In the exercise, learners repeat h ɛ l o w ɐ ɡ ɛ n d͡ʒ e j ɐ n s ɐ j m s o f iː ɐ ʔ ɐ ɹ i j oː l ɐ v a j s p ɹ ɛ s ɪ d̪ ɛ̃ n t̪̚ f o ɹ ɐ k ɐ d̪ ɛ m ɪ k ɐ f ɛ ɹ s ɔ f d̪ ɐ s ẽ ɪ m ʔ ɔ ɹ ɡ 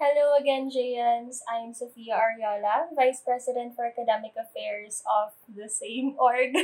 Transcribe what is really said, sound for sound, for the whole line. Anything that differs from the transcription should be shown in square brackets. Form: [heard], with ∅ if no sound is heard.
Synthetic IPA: h ɛ l o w ɐ ɡ ɛ n d͡ʒ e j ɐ n s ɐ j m s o f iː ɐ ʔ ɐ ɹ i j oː l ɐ v a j s p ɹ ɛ s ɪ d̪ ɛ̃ n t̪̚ f [ɔ] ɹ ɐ k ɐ d̪ ɛ m ɪ k ɐ f ɛ ɹ s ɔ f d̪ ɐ s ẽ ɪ m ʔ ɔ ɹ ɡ